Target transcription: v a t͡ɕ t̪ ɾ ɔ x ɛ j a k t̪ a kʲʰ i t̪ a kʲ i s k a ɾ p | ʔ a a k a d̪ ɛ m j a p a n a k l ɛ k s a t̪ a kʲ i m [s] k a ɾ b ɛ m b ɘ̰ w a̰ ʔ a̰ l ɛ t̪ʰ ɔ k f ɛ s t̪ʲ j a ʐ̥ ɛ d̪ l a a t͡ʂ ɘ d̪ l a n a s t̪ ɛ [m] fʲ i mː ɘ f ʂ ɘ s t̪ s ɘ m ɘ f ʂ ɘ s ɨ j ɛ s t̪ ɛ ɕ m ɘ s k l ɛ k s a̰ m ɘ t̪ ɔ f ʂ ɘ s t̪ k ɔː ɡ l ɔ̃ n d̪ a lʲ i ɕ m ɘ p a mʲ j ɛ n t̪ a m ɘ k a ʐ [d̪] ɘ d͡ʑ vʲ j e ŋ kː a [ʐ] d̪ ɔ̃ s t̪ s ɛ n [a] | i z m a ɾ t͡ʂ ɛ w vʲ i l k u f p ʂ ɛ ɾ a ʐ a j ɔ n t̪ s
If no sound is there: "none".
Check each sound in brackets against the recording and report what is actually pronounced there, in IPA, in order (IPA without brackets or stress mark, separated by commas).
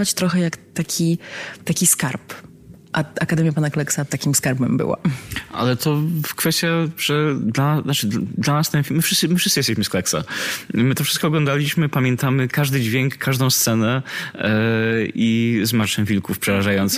s, n, d̪, ʐ, ɛ